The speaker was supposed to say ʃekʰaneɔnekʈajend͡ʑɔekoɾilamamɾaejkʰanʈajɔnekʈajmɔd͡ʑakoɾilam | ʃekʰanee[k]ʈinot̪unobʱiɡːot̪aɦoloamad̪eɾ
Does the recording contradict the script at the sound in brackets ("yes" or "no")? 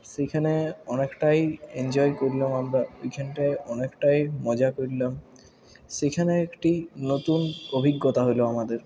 no